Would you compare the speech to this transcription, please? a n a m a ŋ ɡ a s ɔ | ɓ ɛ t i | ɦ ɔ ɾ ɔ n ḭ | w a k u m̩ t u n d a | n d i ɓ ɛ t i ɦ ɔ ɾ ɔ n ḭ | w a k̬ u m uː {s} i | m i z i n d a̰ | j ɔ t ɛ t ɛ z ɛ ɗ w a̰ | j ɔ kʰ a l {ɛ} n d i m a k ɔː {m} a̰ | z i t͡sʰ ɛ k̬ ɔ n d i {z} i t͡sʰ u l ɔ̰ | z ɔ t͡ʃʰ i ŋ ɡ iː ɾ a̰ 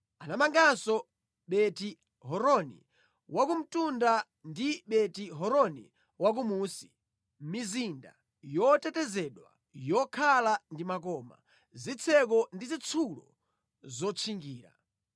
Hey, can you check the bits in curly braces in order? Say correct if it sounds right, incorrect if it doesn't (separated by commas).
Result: correct, incorrect, correct, correct